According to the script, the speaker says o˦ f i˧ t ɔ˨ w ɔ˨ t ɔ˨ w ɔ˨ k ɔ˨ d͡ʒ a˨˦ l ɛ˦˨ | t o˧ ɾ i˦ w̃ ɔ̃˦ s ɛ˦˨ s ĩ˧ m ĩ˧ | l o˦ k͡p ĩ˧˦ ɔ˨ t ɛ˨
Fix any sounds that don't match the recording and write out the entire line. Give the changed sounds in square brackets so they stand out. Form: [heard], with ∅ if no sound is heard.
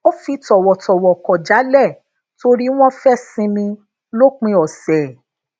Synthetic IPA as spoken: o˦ f i˧ t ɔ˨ w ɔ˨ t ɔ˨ w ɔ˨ k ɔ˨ d͡ʒ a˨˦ l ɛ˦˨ | t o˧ ɾ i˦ w̃ ɔ̃˦ [f] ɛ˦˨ s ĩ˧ m ĩ˧ | l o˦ k͡p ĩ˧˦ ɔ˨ [s] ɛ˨